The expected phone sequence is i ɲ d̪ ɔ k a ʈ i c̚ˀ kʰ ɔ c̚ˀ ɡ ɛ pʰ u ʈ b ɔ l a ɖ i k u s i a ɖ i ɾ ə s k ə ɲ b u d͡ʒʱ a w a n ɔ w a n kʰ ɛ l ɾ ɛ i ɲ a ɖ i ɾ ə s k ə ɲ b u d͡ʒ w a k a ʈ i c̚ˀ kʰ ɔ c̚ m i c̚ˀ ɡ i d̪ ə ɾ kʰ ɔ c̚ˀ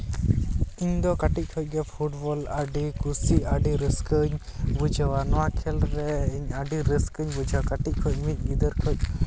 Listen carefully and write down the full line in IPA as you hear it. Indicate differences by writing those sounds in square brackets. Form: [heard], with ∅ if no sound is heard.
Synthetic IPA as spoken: i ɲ d̪ ɔ k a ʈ i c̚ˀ kʰ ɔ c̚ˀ ɡ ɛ pʰ u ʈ b ɔ l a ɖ i k u s i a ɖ i ɾ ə s k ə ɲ b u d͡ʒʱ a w a n ɔ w a [∅] kʰ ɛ l ɾ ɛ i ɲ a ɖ i ɾ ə s k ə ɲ b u d͡ʒ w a k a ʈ i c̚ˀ kʰ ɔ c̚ m i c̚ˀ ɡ i d̪ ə ɾ kʰ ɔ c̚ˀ